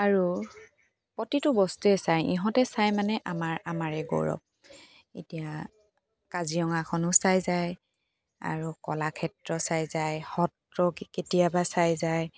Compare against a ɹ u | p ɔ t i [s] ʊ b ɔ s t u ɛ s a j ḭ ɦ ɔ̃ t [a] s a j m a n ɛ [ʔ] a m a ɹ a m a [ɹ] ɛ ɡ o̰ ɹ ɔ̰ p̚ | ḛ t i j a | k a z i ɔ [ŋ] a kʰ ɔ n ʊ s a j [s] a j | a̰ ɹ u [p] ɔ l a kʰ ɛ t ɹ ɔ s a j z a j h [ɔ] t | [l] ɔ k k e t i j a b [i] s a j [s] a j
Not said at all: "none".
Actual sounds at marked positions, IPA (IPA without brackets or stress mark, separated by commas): t, ɛ, ʔ, ɹ, ŋ, z, k, ɔ, ɹ, a, z